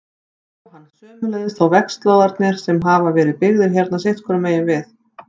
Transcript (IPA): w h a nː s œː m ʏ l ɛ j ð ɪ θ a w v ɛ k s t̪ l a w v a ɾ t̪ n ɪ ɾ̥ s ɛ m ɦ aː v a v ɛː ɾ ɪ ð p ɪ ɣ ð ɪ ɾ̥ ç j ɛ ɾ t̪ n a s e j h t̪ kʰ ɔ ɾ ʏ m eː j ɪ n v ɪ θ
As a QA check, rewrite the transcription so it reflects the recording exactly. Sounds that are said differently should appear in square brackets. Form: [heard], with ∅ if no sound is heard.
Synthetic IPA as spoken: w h a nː s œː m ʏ l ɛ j ð ɪ θ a w v ɛ k s t̪ l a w [ð] a ɾ t̪ n ɪ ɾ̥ s ɛ m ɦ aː v a v ɛː ɾ ɪ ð p ɪ ɣ ð ɪ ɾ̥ ç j ɛ ɾ t̪ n a s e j h t̪ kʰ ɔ ɾ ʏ m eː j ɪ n v ɪ θ